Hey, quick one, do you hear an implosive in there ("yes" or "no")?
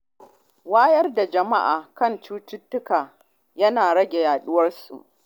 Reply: yes